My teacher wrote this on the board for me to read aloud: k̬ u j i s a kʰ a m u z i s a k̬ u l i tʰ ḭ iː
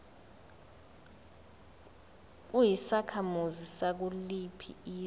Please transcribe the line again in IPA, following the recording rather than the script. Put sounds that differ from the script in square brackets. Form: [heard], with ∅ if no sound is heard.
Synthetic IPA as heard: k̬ u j i s a kʰ a m u z i s a k̬ u l i [pʰ] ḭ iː